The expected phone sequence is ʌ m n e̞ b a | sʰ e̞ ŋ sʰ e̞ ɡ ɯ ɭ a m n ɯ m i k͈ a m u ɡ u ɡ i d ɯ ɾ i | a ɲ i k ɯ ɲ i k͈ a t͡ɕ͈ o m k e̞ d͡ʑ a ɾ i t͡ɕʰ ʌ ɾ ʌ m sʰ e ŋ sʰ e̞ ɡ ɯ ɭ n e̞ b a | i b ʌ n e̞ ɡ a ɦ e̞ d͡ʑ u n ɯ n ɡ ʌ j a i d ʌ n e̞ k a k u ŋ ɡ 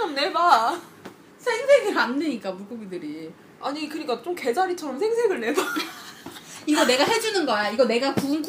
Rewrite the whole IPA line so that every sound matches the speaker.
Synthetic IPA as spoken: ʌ m n e̞ b a | sʰ e̞ ŋ sʰ e̞ ɡ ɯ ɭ a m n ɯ ɲ i k͈ a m u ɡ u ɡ i d ɯ ɾ i | a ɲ i k ɯ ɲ i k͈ a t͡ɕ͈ o m k e̞ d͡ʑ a ɾ i t͡ɕʰ ʌ ɾ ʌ m sʰ e ŋ sʰ e̞ ɡ ɯ ɭ n e̞ b a | i ɡ ʌ n e̞ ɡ a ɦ e̞ d͡ʑ u n ɯ n ɡ ʌ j a i ɡ ʌ n e̞ ɡ a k u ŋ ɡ